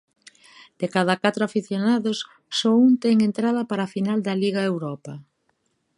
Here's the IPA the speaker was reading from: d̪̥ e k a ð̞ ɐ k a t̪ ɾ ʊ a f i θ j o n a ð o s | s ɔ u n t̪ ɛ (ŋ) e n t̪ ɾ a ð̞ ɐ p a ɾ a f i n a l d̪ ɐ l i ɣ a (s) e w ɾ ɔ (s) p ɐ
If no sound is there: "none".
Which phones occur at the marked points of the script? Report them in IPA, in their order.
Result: ŋ, none, none

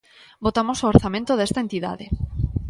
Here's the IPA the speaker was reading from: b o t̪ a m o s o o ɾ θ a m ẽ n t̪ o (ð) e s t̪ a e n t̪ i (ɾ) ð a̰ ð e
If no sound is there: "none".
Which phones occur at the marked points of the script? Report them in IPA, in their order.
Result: ð, none

